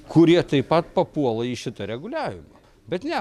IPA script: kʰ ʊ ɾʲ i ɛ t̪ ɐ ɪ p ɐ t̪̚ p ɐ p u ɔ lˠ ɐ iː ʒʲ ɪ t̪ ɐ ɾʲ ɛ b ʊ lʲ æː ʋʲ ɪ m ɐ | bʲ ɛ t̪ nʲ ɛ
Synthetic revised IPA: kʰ ʊ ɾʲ i ɛ t̪ ɐ ɪ p ɐ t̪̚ p ɐ p u ɔ lˠ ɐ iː ʃʲ ɪ t̪ ɐ ɾʲ ɛ ɡ ʊ lʲ æː ʋʲ ɪ m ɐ | bʲ ɛ t̪ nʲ ɛ